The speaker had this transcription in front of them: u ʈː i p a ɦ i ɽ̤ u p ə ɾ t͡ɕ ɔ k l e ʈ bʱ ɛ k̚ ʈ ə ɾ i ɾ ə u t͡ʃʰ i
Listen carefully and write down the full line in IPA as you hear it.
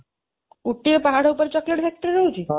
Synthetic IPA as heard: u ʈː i p a ɦ a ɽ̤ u p ə ɾ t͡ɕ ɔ k l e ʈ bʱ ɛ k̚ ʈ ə ɾ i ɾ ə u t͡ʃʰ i